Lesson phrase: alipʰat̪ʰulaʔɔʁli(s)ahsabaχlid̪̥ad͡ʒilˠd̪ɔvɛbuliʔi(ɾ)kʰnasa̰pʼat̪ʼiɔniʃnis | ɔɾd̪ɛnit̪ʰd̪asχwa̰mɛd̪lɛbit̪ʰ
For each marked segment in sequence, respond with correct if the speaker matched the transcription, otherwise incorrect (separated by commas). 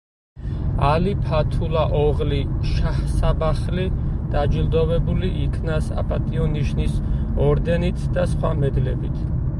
incorrect, incorrect